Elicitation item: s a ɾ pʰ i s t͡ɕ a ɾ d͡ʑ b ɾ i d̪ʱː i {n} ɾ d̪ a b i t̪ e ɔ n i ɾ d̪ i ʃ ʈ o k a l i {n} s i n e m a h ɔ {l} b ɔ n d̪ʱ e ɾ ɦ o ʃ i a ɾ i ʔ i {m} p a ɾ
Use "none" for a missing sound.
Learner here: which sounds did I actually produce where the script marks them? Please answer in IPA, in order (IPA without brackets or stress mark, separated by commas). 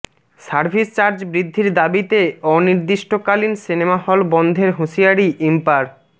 none, n, l, m